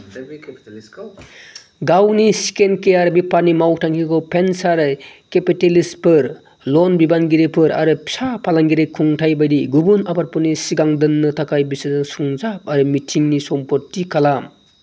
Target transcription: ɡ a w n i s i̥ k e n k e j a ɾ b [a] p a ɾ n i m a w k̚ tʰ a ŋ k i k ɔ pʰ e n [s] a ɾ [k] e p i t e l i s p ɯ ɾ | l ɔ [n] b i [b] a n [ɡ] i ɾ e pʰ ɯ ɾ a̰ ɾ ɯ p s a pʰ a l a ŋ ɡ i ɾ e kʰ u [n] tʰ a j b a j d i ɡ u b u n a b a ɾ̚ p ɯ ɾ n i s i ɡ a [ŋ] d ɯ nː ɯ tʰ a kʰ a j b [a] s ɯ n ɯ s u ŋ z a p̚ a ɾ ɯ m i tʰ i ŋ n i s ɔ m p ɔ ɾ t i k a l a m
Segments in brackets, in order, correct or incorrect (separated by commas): incorrect, correct, correct, correct, correct, correct, incorrect, correct, incorrect